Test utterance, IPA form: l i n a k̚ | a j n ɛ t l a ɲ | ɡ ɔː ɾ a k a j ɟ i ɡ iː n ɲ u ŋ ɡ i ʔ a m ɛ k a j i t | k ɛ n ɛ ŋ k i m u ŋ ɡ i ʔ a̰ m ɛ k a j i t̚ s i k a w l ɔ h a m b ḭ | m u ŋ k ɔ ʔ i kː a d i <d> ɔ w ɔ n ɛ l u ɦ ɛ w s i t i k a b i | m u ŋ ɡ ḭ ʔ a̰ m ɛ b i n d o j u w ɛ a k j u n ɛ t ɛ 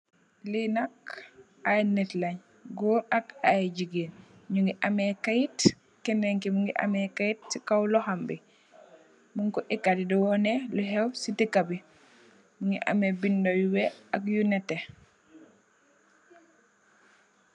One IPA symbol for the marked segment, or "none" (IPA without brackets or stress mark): d